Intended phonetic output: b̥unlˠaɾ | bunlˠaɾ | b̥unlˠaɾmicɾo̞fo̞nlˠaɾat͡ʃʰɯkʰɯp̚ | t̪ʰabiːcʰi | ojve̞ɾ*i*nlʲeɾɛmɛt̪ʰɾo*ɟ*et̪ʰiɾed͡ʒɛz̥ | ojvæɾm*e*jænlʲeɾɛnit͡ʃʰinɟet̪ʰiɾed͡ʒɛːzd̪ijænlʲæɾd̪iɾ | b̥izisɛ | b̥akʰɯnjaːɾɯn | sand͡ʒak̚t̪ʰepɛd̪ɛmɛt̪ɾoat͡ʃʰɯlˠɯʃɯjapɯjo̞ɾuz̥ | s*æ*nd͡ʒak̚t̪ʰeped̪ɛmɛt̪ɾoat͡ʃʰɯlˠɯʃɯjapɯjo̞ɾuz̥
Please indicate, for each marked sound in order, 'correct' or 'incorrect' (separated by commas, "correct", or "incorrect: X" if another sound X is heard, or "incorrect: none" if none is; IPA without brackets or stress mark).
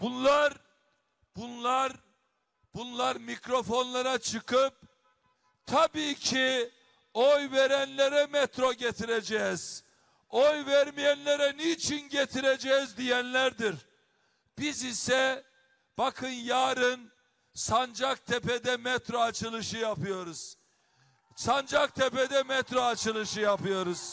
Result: incorrect: æ, correct, incorrect: i, incorrect: a